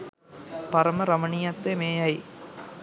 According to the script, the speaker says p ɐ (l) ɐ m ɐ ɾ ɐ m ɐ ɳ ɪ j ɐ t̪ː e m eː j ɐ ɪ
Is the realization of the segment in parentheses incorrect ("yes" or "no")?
yes